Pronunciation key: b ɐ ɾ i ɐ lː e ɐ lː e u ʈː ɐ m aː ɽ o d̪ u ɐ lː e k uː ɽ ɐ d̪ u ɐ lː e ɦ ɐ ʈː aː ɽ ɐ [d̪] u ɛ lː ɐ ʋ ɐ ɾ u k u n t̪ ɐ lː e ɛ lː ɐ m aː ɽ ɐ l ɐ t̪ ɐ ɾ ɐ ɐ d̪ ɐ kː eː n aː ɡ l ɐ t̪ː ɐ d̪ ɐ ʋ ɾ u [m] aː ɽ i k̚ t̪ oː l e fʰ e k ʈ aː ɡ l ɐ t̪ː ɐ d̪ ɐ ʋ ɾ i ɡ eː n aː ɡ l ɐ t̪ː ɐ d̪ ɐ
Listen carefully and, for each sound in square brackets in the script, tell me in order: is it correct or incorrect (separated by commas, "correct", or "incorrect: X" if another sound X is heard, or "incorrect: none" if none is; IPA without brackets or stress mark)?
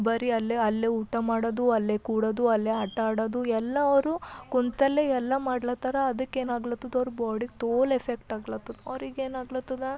correct, incorrect: b